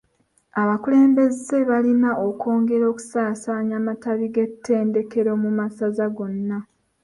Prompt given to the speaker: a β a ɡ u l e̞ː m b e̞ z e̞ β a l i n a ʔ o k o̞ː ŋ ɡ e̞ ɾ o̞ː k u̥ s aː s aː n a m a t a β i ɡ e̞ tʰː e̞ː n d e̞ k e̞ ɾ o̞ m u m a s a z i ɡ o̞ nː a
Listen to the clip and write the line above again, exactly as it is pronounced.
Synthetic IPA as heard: a β a k u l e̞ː m b e̞ z e̞ β a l i n a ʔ o k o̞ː ŋ ɡ e̞ ɾ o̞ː k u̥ s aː s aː ɲ a m a t a β i ɡ e̞ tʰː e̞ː n d e̞ k e̞ ɾ o̞ m u m a s a z a ɡ o̞ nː a